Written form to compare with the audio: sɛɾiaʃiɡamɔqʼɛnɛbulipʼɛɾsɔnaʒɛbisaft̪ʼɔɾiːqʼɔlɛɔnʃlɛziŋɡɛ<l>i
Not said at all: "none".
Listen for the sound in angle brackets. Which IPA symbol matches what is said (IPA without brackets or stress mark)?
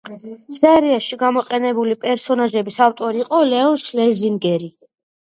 ɾ